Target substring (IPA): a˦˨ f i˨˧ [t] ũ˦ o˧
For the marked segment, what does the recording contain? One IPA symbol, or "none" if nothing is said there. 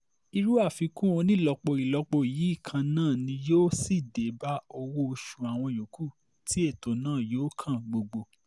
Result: k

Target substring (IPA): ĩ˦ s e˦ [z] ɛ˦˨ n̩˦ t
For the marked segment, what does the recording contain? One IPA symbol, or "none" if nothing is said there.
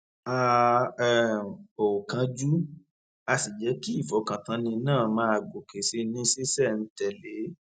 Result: s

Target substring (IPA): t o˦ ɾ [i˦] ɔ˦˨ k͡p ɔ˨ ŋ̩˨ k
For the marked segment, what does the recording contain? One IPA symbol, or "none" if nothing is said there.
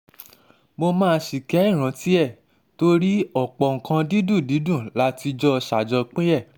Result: i˦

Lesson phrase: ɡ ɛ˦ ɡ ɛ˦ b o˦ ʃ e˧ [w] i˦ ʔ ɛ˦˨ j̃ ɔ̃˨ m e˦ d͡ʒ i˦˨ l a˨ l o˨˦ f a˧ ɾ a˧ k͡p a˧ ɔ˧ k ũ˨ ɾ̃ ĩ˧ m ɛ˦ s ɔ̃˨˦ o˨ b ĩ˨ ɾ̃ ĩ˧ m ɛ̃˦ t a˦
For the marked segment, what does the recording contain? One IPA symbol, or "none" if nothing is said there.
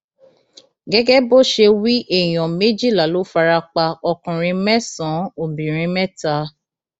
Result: w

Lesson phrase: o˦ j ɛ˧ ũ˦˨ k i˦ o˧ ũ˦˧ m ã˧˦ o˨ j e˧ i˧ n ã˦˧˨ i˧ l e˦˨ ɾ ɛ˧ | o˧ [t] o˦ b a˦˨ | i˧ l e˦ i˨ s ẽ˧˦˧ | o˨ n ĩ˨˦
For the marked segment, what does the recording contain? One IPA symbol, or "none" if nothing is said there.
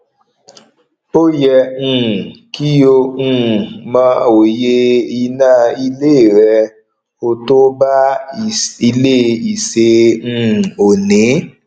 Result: t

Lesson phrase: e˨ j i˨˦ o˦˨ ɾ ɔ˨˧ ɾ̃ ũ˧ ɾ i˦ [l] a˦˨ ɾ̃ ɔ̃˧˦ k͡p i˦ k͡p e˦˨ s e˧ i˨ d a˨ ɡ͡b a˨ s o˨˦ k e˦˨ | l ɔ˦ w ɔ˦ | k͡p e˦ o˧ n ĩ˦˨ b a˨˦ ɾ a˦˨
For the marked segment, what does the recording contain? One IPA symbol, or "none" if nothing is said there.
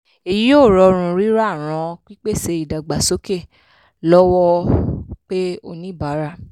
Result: ɾ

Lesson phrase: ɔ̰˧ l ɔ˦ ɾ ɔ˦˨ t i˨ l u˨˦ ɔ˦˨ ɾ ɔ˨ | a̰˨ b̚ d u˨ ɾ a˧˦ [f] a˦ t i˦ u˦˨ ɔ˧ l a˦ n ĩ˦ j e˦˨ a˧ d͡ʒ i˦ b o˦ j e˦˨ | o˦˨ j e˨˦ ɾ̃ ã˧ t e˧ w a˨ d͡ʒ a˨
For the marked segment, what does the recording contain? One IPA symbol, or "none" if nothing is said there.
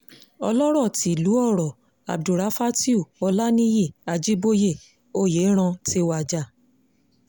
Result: f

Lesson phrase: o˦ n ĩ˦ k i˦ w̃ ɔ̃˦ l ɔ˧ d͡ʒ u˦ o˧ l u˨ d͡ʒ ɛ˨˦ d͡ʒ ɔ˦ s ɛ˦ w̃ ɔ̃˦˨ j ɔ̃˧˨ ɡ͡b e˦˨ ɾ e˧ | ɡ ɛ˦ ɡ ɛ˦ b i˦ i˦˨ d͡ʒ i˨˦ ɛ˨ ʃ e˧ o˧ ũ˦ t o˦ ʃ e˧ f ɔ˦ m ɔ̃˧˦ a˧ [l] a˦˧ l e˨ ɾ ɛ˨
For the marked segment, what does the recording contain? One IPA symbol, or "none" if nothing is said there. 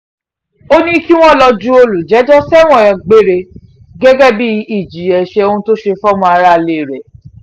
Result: ɾ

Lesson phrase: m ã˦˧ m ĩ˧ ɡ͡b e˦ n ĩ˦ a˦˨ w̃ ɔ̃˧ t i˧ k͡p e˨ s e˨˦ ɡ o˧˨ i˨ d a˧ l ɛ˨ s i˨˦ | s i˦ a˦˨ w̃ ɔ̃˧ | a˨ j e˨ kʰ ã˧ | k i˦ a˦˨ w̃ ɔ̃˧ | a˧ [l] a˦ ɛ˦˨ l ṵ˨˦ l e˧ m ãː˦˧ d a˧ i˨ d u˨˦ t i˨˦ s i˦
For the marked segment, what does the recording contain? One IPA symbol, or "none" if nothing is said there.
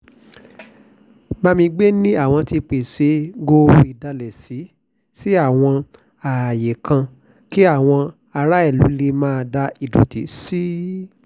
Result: ɾ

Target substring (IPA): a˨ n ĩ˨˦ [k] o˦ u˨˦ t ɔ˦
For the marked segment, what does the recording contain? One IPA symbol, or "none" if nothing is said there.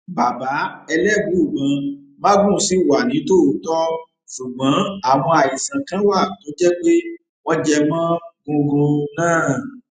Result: t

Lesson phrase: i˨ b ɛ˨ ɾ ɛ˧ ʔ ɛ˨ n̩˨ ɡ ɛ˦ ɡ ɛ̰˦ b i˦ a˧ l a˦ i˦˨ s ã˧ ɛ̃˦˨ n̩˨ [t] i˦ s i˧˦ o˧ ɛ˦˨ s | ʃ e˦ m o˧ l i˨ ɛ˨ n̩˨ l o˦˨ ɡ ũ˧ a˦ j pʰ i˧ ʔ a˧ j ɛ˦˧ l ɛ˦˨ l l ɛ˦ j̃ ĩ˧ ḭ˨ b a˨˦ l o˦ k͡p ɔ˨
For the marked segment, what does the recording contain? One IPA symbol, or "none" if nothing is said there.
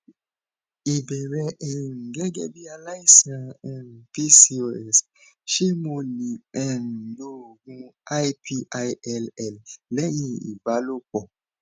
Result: p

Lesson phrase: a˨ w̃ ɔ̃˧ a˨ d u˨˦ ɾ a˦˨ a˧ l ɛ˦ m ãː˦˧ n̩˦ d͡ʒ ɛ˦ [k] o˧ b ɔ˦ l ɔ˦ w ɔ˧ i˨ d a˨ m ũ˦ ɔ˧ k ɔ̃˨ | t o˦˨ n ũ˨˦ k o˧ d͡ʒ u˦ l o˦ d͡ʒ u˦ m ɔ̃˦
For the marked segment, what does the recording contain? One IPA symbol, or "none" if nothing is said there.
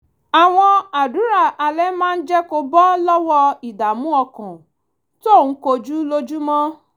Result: k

